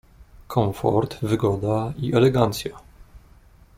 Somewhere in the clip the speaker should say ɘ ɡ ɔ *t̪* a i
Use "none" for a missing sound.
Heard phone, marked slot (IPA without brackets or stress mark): d̪